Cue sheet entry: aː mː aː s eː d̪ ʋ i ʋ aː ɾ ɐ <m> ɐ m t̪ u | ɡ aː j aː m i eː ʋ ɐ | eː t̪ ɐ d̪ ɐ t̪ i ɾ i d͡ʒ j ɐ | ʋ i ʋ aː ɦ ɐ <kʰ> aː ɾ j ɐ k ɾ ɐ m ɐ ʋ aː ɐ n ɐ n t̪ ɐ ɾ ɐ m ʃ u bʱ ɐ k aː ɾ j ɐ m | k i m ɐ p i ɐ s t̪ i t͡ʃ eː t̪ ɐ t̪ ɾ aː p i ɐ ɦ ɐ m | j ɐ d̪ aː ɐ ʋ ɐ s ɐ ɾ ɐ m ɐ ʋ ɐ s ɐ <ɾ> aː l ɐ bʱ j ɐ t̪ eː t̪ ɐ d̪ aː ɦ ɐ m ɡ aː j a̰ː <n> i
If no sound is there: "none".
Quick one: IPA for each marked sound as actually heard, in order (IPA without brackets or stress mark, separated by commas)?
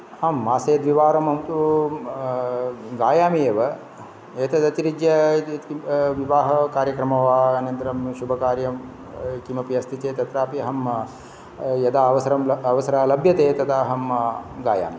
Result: m, k, ɾ, m